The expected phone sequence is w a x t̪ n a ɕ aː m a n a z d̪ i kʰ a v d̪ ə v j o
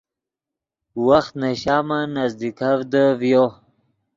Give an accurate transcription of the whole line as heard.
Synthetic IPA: w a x t̪ n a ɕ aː m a n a z d̪ i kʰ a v d̪ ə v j o